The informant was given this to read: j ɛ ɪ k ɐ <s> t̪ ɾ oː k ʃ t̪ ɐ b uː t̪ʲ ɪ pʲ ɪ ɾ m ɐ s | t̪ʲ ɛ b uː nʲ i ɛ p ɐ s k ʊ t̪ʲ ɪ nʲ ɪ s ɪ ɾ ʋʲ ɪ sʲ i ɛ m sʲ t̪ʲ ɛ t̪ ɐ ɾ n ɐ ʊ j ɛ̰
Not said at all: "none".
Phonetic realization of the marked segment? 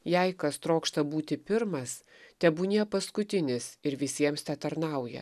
s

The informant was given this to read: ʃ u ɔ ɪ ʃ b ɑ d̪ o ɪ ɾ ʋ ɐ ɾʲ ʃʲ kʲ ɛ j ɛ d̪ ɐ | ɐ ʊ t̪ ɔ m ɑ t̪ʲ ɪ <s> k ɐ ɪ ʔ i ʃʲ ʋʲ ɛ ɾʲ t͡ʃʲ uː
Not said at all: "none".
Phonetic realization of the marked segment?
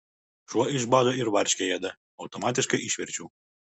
ʃ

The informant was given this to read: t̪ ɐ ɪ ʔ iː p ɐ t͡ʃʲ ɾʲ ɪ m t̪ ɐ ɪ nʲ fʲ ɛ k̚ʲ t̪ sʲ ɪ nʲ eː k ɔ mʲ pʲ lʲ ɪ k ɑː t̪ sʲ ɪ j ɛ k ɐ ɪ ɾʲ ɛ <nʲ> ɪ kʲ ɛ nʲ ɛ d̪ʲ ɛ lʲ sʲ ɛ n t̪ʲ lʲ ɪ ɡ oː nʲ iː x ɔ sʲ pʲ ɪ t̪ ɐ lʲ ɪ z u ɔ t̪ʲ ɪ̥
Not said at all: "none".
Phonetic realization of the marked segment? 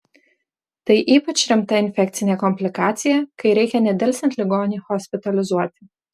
none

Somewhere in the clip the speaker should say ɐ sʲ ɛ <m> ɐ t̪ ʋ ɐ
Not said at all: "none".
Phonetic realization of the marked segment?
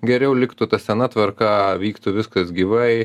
n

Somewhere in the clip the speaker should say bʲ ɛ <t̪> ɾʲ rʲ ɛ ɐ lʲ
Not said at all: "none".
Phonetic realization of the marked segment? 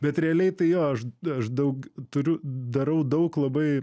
t̪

